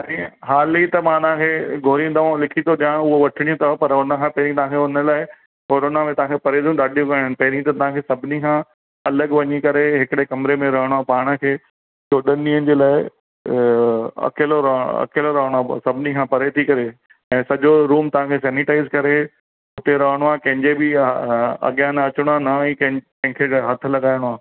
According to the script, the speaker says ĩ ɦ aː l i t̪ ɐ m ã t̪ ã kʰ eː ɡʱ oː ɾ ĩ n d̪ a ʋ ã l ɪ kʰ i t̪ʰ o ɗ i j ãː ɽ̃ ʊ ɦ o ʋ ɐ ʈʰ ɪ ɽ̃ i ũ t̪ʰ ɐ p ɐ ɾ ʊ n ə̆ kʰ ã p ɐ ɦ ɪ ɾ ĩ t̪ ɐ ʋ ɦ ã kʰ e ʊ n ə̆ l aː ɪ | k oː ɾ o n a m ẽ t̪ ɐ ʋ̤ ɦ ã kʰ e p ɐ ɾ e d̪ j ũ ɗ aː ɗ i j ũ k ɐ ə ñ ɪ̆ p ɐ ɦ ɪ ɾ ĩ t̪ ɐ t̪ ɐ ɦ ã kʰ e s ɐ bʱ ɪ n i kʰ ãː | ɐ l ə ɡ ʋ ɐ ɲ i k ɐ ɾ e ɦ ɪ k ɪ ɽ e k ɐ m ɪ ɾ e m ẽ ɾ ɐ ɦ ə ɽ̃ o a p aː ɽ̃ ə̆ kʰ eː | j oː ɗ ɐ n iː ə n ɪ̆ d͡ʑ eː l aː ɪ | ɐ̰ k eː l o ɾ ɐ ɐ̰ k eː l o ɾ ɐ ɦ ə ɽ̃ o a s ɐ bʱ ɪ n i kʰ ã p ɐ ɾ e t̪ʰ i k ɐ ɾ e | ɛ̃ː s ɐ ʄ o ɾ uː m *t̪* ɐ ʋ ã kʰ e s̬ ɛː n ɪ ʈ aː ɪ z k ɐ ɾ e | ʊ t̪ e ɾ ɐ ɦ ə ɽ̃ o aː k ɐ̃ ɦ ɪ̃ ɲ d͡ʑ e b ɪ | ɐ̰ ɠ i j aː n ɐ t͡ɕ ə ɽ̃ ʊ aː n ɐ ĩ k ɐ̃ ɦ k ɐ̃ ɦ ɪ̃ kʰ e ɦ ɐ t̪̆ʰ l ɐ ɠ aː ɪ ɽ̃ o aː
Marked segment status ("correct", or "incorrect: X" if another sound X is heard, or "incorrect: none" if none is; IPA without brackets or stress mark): correct